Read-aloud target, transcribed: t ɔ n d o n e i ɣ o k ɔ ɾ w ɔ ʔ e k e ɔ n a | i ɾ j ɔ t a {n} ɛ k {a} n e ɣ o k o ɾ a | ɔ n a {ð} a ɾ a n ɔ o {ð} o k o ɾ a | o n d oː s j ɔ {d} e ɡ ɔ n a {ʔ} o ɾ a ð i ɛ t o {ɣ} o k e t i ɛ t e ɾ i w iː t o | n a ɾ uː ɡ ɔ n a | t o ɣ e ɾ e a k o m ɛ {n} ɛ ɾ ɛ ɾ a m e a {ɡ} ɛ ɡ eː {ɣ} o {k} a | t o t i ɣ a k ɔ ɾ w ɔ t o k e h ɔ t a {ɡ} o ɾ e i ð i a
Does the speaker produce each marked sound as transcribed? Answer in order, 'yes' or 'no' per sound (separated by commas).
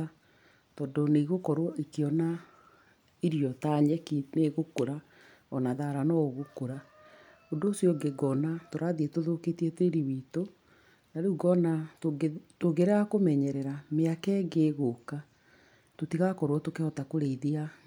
no, no, yes, no, no, no, no, no, no, yes, yes, no